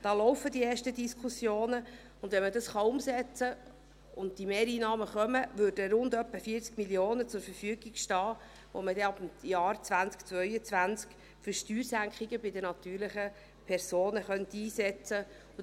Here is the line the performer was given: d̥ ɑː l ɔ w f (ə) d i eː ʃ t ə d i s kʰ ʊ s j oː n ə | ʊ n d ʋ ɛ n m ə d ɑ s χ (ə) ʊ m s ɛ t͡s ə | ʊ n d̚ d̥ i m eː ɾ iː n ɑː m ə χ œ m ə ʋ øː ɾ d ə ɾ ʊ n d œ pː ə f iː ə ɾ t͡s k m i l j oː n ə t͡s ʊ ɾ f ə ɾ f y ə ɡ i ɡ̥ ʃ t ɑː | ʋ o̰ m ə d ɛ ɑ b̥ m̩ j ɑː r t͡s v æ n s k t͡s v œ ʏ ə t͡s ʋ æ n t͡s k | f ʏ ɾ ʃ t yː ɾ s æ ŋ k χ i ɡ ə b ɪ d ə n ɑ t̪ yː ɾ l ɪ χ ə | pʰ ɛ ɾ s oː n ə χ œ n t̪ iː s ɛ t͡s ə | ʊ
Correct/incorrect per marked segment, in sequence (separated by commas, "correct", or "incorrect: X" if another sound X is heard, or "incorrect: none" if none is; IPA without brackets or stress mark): correct, incorrect: ɑ